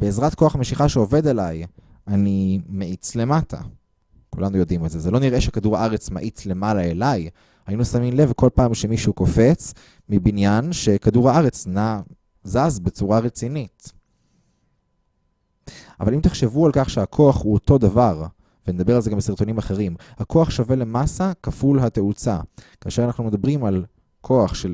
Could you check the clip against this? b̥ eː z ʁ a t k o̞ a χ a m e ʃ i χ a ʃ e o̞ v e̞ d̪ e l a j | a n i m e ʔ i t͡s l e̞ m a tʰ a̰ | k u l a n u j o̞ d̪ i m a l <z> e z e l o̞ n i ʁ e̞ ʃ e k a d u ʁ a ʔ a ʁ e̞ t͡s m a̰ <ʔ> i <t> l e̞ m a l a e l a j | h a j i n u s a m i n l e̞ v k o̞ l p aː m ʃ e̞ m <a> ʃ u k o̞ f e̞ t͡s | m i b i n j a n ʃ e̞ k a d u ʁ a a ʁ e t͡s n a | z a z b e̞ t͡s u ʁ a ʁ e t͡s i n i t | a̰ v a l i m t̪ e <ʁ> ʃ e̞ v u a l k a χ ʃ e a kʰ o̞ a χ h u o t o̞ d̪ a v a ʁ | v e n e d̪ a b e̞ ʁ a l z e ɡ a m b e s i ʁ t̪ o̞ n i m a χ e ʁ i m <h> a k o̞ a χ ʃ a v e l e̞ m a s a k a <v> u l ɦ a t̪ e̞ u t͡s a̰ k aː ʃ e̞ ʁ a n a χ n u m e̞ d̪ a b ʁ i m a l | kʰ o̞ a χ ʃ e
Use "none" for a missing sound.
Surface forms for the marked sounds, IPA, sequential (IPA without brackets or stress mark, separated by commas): z, ʔ, t͡s, i, χ, h, f